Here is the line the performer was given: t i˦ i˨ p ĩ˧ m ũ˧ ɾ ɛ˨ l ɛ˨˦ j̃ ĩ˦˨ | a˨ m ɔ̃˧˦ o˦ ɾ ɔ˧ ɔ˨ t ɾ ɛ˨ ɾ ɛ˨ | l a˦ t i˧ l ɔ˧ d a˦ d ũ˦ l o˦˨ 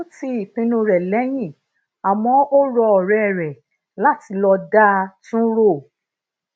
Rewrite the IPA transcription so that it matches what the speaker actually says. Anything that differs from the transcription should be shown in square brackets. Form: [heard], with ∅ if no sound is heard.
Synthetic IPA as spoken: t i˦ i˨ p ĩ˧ [n] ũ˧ ɾ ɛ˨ l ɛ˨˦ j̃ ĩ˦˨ | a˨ m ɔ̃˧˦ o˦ ɾ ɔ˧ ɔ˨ [∅] ɾ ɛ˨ ɾ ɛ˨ | l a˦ t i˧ l ɔ˧ d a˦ [t] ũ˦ [ɾ] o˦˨